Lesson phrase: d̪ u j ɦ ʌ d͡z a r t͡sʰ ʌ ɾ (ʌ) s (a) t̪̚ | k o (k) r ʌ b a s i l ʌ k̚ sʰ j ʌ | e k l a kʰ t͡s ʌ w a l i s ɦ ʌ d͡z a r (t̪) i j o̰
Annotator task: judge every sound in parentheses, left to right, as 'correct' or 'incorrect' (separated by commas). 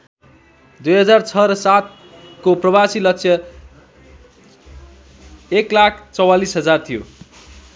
correct, correct, incorrect, incorrect